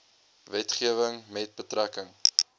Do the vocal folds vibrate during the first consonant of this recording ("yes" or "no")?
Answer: yes